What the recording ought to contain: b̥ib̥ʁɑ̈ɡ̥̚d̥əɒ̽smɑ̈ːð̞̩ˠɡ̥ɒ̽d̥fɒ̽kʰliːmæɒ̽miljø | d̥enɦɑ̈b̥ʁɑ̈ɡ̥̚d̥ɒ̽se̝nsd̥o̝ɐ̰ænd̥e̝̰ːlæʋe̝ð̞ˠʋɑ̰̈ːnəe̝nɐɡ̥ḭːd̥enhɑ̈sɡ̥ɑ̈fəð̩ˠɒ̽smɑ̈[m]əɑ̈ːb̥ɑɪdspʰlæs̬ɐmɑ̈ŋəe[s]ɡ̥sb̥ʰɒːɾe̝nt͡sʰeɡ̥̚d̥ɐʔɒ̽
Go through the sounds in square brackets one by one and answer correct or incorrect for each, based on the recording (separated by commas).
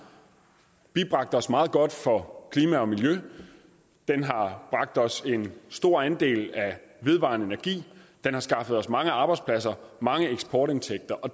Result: incorrect, incorrect